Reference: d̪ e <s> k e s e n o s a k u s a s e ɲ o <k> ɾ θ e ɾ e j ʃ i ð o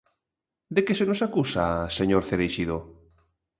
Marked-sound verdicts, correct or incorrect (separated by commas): incorrect, incorrect